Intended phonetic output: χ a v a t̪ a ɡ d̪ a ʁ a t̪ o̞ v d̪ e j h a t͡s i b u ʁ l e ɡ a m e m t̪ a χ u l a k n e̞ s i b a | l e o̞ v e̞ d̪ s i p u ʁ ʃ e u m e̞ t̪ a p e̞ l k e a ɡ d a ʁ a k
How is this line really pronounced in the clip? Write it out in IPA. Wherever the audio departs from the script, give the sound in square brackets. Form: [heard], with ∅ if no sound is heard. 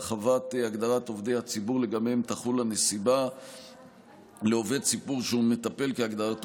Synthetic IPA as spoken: χ a v a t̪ a ɡ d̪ a ʁ a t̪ o̞ v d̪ e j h a t͡s i b u ʁ l e ɡ a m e m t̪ a χ u l a [∅] n e̞ s i b a | l e o̞ v e̞ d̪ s i p u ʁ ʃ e u m e̞ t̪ a p e̞ l k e a ɡ d a ʁ a [t]